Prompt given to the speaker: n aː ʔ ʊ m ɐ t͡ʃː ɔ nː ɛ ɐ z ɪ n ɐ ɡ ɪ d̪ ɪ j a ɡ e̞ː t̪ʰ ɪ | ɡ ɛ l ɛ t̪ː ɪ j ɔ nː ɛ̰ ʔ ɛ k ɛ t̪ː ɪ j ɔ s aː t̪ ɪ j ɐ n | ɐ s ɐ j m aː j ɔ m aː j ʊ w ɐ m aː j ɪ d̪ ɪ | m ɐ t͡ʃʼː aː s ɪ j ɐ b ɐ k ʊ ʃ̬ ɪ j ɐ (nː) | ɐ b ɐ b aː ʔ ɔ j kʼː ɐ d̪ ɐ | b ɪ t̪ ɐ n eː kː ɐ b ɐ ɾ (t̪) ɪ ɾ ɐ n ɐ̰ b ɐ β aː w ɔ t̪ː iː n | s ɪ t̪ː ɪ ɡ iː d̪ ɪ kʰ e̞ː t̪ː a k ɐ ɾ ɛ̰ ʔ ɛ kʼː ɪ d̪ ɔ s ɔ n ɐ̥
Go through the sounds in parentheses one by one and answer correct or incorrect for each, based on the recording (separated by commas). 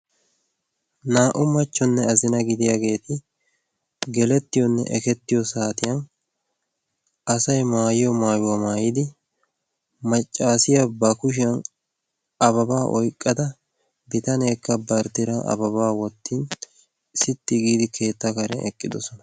incorrect, correct